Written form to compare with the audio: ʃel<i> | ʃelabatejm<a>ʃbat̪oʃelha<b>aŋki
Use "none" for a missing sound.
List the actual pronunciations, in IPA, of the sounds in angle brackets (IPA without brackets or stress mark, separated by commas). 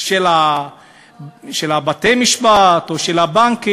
a, i, b